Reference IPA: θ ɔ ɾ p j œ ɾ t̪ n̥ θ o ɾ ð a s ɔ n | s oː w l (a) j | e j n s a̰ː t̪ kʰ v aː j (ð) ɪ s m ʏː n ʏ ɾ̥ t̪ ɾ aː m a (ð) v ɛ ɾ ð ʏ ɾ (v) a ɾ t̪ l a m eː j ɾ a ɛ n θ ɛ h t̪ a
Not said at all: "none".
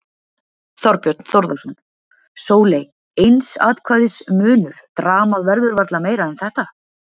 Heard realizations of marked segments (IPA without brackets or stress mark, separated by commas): e, ð, ð, v